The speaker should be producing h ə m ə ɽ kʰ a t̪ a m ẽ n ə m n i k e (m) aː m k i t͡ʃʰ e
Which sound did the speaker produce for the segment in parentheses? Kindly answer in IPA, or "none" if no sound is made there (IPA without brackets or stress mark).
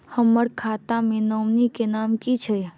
n